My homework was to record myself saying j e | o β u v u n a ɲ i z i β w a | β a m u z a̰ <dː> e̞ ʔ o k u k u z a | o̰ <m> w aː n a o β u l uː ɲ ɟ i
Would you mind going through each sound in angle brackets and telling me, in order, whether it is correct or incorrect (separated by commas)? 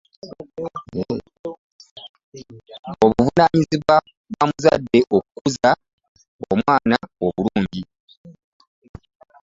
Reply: correct, correct